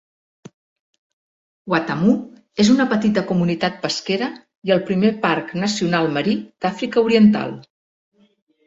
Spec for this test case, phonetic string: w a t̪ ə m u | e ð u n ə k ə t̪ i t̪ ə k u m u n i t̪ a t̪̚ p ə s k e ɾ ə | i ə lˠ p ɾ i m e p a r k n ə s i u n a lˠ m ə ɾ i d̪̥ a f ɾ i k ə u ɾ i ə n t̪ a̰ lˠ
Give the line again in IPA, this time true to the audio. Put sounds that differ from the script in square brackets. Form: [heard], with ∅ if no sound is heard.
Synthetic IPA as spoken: w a t̪ ə m u | e [z] u n ə [p] ə t̪ i t̪ ə k u m u n i t̪ a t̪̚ p ə s k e ɾ ə | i ə lˠ p ɾ i m e p a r k n ə s i u n a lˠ m ə ɾ i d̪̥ a f ɾ i k ə u ɾ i ə n t̪ a̰ lˠ